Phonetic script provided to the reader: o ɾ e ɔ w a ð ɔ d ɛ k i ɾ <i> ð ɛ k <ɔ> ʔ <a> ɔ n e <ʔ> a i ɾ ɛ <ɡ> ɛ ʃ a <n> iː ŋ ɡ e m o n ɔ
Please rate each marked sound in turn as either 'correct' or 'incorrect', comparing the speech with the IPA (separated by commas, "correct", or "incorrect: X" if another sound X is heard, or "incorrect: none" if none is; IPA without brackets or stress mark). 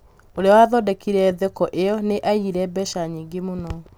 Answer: incorrect: ɛ, correct, incorrect: e, correct, incorrect: b, incorrect: ɲ